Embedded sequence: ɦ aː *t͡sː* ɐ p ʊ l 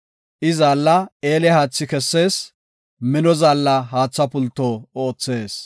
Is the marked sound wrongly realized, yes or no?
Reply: no